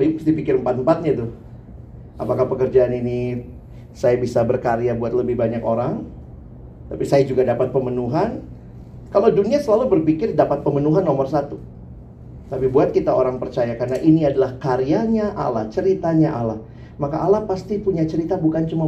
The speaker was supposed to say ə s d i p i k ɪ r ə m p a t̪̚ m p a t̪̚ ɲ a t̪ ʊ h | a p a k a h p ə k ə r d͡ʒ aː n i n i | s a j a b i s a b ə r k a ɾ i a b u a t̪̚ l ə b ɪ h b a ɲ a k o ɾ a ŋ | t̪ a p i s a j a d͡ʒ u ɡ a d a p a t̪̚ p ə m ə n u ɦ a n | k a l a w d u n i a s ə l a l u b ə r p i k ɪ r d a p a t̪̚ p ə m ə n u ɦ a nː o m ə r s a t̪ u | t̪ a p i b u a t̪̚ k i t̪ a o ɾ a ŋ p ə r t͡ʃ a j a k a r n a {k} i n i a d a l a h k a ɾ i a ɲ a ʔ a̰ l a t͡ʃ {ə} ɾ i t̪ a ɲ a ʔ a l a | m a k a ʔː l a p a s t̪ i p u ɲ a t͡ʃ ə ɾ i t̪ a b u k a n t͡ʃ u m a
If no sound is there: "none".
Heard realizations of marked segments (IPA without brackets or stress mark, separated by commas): ʔ, ə